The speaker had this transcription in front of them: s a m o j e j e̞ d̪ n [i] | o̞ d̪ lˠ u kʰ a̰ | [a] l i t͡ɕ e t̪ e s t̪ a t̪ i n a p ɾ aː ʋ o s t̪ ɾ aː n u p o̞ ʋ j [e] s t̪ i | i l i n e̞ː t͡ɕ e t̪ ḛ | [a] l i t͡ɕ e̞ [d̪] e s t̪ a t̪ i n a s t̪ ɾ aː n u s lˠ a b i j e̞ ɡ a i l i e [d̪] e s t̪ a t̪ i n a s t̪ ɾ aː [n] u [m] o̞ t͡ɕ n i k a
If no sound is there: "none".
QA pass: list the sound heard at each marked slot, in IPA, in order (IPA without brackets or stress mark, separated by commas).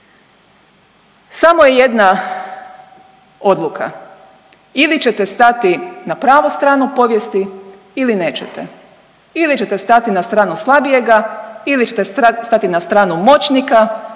a, i, e, i, t̪, t̪, n, m